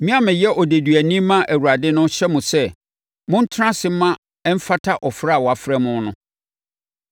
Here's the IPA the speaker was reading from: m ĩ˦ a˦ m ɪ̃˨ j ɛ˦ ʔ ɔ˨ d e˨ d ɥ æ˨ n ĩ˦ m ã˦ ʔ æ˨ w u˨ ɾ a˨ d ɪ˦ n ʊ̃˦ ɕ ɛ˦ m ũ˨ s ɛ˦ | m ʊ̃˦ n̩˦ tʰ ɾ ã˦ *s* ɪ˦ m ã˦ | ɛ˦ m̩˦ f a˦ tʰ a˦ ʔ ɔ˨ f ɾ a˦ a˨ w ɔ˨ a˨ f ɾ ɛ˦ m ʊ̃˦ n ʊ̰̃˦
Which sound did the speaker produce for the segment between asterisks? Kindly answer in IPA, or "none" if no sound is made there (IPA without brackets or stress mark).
s